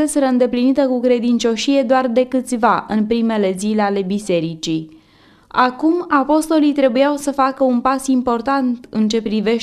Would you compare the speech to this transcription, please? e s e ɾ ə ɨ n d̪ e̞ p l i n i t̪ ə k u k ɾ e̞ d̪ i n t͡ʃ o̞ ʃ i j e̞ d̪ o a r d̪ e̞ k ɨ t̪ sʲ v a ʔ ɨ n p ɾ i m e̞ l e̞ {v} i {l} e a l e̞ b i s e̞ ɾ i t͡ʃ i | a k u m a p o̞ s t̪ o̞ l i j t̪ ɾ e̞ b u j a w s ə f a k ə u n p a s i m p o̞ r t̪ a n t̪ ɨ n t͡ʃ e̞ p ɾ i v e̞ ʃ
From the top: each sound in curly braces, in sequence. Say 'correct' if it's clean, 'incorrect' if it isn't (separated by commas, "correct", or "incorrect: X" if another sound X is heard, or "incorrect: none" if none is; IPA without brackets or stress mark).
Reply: incorrect: z, correct